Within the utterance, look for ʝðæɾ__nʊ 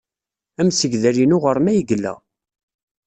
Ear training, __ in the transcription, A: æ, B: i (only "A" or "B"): B